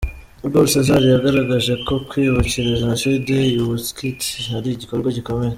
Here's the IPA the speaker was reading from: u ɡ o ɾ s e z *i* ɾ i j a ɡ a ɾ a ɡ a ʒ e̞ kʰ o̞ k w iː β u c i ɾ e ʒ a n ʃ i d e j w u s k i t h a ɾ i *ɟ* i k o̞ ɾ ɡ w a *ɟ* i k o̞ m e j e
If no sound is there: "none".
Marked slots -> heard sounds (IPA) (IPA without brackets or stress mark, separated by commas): a, ɟ, ɟ